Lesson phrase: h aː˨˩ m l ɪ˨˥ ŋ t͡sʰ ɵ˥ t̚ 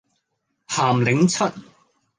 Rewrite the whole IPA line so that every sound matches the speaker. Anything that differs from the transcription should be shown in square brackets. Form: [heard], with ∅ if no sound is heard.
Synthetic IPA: h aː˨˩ m l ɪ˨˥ ŋ t͡sʰ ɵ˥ t̚